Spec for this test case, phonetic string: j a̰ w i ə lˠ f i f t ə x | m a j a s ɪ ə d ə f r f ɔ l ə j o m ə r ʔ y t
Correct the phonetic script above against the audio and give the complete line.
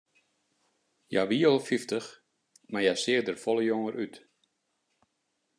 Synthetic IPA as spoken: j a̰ ʋ i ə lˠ f i f t ə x | m a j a s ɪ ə d ə r f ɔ l ə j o ŋ ə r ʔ y t